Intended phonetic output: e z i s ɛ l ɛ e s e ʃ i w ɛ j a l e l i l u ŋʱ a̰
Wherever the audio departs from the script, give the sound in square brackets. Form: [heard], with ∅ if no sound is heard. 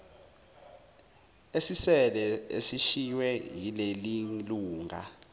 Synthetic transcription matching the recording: e [s] i s ɛ l ɛ e s [i] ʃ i w ɛ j [i] l e l i l [uː] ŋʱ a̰